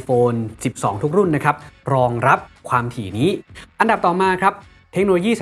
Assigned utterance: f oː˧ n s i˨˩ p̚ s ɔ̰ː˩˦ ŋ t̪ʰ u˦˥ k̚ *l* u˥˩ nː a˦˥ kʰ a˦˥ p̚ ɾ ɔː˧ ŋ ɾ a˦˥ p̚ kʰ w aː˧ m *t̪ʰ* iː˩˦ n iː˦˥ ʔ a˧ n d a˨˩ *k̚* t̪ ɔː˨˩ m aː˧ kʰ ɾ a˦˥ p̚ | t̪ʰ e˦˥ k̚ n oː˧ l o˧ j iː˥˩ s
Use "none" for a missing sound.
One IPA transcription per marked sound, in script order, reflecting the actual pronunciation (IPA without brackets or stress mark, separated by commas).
ɾ, t̪ʰ, p̚